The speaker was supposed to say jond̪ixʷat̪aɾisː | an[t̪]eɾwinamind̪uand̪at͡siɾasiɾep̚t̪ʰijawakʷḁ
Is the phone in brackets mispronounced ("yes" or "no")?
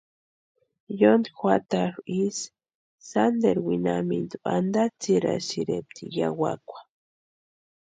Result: yes